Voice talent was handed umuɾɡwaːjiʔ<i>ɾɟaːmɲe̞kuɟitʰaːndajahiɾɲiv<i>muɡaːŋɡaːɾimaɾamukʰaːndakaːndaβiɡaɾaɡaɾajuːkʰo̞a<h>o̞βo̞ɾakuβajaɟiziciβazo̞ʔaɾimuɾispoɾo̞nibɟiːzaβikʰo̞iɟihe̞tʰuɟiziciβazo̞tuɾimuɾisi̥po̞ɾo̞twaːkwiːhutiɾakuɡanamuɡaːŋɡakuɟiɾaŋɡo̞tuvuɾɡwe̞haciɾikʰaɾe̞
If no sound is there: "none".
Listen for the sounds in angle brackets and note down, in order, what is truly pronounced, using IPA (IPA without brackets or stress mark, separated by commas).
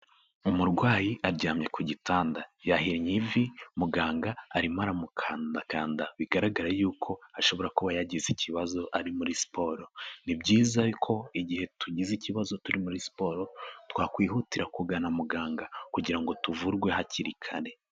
a, i, ʃ